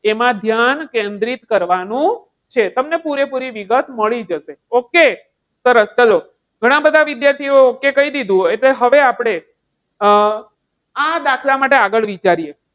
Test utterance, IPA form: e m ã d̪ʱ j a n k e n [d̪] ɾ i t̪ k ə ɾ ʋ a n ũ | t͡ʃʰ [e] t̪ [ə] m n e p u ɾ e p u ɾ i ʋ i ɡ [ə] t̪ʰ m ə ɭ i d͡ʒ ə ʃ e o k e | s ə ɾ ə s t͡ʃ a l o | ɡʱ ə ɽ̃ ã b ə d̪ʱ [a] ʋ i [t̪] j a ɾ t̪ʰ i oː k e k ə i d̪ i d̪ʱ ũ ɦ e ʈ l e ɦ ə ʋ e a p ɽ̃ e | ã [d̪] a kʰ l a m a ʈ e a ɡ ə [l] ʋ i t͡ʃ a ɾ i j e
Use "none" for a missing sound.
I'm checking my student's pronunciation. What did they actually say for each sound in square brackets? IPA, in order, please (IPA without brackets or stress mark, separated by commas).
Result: d̪, e, ə, ə, a, d̪, d̪, ɭ